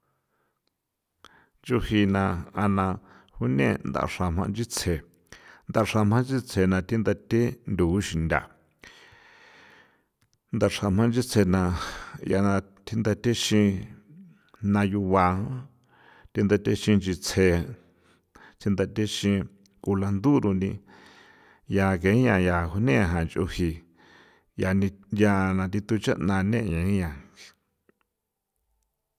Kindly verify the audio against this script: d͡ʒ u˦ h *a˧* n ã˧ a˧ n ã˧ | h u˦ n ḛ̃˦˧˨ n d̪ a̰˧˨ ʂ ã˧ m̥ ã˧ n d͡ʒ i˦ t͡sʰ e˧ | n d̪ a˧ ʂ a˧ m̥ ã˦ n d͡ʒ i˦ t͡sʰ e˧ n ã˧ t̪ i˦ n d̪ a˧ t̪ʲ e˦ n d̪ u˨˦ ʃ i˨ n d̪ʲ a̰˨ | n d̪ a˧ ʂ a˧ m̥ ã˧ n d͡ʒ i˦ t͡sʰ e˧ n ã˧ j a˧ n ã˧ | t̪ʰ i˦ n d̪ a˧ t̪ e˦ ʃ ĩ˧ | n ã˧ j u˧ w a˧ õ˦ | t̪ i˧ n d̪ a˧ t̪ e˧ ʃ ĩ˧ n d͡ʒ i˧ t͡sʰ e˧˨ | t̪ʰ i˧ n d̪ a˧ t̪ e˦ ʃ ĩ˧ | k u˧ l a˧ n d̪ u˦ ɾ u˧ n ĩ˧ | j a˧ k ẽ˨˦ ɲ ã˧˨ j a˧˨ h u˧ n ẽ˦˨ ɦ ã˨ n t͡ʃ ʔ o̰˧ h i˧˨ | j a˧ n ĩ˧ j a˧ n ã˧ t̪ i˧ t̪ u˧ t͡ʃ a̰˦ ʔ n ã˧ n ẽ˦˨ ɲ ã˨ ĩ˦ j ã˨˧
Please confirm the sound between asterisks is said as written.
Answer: no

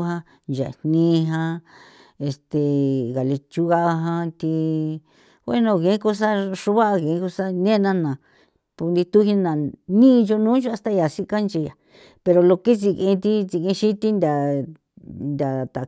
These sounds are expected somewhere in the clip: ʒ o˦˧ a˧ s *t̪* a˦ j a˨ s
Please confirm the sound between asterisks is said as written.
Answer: yes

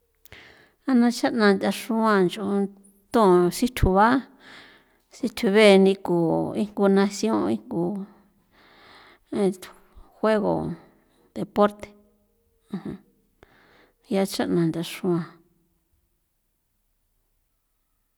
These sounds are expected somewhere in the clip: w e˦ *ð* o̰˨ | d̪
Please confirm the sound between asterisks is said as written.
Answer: no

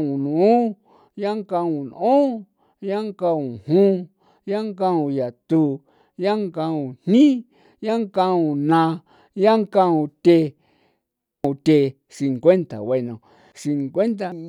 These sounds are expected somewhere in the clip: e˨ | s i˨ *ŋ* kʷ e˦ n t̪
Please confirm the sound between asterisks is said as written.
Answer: yes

